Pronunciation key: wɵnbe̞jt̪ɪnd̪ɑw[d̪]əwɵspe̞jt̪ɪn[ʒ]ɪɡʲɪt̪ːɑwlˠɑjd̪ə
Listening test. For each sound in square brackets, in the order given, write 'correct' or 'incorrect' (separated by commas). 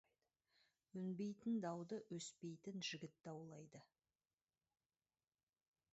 correct, correct